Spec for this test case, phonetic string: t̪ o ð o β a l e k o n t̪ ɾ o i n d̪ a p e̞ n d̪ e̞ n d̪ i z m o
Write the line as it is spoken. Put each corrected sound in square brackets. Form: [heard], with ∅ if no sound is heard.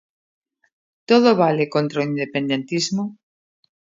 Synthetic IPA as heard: t̪ o ð o β a l e k o n t̪ ɾ o i n d̪ [e] p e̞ n d̪ e̞ n [t̪] i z m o